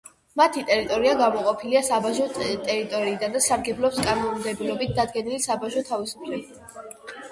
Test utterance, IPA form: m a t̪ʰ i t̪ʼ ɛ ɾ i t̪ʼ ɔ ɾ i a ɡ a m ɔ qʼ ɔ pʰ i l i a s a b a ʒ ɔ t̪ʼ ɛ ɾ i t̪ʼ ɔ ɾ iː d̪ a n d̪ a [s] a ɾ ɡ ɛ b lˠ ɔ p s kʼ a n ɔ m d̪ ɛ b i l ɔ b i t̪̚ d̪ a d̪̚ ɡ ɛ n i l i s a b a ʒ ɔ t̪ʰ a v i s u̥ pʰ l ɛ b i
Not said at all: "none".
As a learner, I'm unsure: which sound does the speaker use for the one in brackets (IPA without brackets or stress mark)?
s